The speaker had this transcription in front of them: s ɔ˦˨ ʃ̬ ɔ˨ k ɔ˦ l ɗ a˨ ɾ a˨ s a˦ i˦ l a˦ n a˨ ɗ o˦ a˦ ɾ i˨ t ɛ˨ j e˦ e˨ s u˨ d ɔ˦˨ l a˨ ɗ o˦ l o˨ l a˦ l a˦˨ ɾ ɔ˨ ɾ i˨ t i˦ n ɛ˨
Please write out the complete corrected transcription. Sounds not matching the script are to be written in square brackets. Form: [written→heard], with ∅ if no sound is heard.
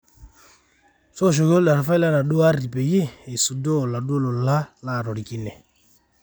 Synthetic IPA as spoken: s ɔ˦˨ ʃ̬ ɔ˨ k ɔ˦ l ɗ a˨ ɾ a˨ [s→f] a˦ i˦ l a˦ n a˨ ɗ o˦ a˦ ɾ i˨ [t→p] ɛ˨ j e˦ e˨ s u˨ d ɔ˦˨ l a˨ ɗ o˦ l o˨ l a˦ l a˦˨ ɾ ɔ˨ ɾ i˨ [t→k] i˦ n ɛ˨